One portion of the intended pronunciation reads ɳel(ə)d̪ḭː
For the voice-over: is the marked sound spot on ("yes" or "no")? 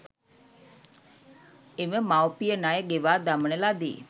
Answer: no